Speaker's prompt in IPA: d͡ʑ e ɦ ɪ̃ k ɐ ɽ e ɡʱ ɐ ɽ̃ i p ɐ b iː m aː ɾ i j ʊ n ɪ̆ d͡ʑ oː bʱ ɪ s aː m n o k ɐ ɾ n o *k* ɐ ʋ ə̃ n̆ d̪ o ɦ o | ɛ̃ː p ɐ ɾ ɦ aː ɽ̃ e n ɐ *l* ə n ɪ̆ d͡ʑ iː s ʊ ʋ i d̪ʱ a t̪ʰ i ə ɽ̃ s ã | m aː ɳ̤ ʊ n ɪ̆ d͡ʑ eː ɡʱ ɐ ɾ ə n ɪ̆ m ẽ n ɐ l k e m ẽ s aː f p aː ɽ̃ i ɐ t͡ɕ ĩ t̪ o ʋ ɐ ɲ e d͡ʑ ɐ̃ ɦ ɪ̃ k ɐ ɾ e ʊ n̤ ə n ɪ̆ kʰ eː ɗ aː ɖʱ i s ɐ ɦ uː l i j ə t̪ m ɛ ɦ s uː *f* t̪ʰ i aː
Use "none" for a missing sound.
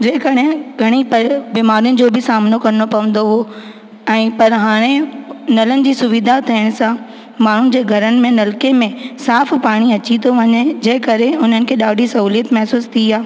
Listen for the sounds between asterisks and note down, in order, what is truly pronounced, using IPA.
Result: p, l, s

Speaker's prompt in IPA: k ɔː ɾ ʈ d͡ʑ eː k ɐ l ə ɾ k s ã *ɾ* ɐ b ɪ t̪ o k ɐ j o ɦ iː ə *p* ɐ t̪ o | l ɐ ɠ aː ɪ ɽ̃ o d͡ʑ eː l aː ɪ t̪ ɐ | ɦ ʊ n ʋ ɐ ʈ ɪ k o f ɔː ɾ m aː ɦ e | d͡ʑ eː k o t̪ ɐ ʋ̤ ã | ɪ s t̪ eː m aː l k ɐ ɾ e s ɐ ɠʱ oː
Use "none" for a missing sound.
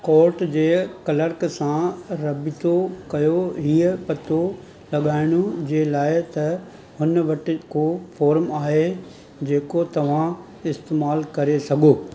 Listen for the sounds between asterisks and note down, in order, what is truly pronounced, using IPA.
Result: ɾ, p

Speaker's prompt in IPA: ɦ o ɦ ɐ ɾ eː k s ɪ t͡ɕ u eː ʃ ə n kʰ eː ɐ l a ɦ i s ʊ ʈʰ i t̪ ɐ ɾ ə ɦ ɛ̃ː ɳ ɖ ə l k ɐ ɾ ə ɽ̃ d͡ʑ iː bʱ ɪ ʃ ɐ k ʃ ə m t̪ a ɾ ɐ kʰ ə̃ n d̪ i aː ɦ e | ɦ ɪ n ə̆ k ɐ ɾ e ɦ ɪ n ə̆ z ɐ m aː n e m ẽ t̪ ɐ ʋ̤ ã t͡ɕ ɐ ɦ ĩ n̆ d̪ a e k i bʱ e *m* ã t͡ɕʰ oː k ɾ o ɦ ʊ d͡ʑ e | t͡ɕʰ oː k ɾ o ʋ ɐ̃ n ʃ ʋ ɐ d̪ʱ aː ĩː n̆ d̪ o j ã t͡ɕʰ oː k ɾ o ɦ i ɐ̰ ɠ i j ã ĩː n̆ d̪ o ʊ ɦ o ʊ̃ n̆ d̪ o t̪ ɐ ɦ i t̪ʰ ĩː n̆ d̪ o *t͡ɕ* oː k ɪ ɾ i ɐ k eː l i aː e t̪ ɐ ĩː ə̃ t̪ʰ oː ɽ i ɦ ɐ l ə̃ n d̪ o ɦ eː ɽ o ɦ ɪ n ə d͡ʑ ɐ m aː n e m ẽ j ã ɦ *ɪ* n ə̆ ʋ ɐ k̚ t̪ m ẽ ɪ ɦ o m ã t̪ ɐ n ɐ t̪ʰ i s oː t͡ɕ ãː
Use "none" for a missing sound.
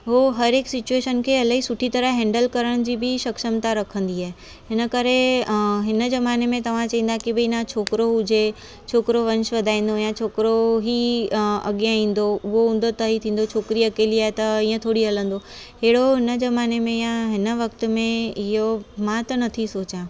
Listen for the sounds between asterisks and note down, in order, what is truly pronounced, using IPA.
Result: n, t͡ɕʰ, ɪ

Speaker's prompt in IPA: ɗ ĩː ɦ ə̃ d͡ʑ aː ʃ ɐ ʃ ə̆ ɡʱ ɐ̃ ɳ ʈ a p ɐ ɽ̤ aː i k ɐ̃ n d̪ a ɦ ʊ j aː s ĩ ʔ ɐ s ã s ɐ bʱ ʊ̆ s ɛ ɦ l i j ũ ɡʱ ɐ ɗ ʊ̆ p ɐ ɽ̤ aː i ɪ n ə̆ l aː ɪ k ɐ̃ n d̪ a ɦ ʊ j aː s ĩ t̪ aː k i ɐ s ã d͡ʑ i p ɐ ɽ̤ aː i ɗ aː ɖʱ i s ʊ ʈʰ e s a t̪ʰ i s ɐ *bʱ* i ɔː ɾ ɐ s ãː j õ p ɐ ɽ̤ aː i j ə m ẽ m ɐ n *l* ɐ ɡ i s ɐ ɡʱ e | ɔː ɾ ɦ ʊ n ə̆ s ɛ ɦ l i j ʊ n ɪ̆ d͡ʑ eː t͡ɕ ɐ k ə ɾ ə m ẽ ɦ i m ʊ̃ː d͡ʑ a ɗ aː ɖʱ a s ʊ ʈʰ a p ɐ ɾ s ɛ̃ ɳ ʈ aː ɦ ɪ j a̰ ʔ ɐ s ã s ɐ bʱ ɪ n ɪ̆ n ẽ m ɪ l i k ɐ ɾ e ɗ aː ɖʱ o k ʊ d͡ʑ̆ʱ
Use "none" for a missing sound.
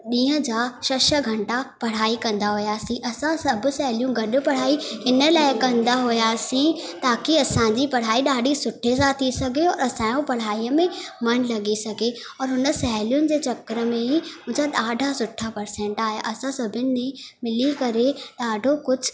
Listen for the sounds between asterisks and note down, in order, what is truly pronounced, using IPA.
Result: ɡʱ, l

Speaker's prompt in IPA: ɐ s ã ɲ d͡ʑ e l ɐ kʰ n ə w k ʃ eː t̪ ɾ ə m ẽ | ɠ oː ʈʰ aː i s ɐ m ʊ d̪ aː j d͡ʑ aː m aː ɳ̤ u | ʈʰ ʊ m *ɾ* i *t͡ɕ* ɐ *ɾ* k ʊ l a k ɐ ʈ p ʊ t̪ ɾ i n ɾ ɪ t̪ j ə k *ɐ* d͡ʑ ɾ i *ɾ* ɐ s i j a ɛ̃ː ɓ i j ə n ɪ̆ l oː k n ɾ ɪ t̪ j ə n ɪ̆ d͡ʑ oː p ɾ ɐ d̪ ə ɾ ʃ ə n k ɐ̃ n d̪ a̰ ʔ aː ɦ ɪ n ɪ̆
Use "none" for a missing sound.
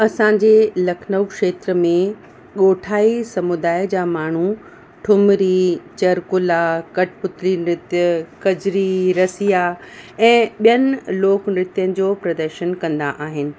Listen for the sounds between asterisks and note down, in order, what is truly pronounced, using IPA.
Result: ɾ, t͡ɕ, ɾ, ɐ, ɾ

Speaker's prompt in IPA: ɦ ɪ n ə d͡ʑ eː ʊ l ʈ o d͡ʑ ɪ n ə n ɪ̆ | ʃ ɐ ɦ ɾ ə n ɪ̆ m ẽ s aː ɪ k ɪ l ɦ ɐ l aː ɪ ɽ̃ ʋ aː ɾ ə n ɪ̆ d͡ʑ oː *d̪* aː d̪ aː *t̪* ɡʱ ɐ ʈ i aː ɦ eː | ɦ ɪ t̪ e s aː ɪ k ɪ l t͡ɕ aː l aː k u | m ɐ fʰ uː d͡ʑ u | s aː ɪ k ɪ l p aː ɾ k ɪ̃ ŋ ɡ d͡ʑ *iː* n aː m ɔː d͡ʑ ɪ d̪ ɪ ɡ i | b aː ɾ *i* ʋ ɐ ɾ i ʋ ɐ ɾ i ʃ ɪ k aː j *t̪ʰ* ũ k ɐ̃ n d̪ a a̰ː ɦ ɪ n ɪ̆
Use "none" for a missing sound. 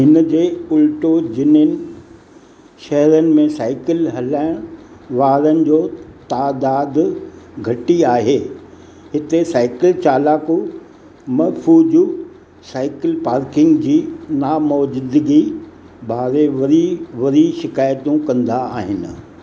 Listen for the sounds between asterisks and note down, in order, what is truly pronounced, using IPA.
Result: t̪, d̪, iː, e, t̪

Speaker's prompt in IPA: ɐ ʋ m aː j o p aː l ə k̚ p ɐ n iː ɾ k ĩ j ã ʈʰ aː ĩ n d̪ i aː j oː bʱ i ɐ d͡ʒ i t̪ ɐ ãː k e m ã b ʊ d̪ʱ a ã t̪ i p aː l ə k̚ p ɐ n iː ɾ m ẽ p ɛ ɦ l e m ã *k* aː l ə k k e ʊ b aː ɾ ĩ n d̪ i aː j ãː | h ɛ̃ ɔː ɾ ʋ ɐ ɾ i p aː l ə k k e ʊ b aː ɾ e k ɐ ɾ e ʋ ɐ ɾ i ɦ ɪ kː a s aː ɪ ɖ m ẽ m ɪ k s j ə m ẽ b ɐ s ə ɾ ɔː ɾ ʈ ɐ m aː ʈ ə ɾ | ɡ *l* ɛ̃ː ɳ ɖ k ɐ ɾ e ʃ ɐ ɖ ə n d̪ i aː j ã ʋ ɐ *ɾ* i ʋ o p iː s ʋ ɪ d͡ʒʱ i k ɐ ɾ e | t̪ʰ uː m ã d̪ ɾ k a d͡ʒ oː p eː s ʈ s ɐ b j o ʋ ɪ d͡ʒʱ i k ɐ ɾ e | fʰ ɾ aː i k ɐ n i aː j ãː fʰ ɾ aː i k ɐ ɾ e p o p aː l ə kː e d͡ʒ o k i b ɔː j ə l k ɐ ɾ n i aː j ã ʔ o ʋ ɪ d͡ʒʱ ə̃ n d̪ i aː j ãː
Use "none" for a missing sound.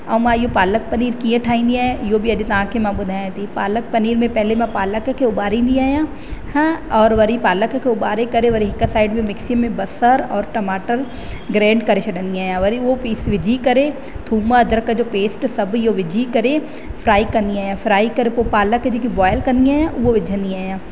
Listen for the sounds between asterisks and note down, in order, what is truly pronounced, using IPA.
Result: p, ɾ, ɾ

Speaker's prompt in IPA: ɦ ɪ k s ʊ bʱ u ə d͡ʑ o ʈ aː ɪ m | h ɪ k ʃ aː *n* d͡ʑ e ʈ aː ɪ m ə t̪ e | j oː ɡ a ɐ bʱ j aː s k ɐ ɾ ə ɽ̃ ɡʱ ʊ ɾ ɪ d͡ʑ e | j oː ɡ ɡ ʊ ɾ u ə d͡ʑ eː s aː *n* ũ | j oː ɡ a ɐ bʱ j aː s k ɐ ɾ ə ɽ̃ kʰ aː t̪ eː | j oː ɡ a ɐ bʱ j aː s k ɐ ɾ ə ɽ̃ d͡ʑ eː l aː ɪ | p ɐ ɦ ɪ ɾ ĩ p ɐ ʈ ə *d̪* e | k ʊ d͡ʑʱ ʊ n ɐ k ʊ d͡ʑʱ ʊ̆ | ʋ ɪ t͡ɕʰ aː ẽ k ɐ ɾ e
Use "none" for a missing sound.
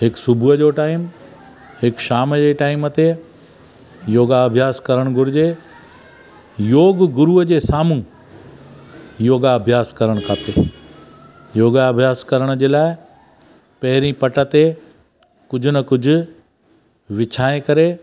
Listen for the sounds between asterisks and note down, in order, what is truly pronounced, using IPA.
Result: m, m, t̪

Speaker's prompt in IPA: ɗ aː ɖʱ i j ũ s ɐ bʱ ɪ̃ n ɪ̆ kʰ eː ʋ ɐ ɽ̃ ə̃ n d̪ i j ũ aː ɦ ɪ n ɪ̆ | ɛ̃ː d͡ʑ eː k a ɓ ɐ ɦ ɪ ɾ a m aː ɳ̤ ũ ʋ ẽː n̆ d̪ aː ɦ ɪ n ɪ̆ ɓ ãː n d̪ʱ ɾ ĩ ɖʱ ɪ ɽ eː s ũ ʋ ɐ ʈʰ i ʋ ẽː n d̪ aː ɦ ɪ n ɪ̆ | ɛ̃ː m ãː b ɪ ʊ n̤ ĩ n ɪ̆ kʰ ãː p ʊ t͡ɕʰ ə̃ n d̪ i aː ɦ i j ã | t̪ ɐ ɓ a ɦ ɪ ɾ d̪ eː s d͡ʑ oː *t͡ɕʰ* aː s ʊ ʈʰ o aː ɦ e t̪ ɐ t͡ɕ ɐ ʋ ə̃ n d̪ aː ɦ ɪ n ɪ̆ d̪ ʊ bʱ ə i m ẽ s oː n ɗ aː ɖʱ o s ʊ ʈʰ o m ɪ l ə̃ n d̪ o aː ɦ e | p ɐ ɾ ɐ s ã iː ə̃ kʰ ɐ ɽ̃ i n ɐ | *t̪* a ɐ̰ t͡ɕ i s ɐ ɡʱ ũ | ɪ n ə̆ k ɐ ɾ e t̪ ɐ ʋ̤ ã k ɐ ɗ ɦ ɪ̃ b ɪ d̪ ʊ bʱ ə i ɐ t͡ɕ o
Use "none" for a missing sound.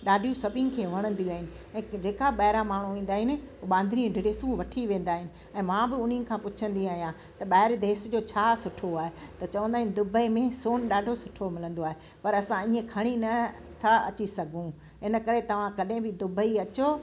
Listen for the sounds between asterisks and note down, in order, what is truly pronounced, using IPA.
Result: t͡ɕʰ, t̪ʰ

